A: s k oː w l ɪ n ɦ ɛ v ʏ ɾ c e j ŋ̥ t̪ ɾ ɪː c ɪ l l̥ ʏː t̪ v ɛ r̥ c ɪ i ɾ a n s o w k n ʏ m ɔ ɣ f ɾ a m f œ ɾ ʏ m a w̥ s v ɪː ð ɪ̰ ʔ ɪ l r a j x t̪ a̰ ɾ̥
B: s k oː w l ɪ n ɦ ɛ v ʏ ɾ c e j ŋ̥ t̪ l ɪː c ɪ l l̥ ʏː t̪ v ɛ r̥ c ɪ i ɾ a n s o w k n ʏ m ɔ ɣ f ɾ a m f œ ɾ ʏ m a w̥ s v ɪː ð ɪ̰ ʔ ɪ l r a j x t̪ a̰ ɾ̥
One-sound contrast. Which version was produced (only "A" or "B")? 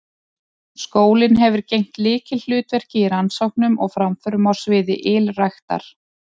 B